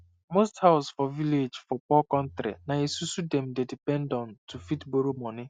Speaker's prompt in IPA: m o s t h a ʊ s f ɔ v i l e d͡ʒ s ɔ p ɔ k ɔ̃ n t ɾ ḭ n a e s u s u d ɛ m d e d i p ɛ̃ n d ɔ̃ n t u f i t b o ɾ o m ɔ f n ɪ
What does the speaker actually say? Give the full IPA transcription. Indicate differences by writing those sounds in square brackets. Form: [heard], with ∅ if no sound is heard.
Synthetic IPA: m o s t h a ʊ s f ɔ v i l e d͡ʒ [f] ɔ p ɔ k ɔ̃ n t ɾ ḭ n a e s u s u d ɛ m d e d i p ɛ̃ n d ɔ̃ n t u f i t b o ɾ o m ɔ [∅] n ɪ